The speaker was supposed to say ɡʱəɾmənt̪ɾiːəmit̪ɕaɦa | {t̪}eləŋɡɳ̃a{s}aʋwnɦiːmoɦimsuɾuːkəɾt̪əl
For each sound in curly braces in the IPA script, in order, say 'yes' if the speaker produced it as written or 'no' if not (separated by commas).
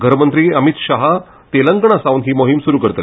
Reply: yes, yes